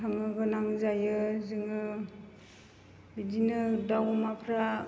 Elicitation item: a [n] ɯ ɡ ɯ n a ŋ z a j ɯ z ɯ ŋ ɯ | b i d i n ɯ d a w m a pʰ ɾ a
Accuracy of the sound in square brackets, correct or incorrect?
incorrect